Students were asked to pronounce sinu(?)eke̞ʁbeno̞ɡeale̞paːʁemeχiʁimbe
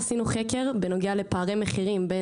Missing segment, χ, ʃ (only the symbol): χ